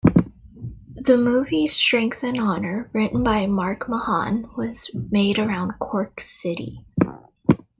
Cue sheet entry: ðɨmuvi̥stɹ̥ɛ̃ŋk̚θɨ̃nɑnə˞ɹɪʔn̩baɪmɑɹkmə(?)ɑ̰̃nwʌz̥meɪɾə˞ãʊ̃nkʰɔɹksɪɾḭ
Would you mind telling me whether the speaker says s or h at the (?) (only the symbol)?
h